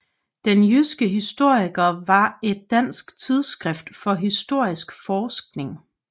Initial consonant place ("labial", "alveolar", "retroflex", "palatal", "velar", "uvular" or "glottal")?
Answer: alveolar